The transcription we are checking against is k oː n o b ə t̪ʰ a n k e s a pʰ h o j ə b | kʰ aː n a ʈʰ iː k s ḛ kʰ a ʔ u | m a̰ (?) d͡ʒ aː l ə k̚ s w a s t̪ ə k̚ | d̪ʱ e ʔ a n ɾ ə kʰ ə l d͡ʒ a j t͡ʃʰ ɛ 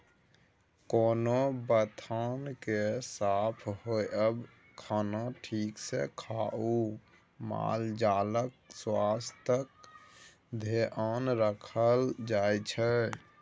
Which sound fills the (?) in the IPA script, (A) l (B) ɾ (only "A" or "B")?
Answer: A